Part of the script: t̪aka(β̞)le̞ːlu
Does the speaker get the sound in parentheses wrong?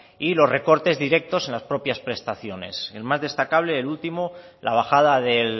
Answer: no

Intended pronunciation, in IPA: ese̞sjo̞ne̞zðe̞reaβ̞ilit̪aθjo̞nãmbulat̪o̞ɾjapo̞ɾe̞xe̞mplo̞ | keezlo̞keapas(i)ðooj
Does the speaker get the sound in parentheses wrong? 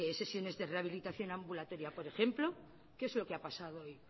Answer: yes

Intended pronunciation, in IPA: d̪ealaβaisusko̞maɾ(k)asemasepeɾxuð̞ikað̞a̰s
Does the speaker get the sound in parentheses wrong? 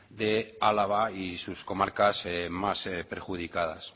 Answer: no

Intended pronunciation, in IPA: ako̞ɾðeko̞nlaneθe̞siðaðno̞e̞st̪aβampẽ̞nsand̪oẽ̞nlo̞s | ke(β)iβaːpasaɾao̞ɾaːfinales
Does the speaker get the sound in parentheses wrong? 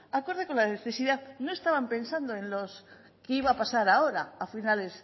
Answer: yes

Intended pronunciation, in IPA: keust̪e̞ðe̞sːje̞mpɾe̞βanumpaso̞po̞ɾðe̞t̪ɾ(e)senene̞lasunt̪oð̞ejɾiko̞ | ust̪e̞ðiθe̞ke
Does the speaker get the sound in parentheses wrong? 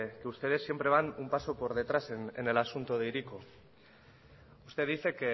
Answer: yes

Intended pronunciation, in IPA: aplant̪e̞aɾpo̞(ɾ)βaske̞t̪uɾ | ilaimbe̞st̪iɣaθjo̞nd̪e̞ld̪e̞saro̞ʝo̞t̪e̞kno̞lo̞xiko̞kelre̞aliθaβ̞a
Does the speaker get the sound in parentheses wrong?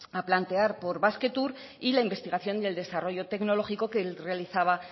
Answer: no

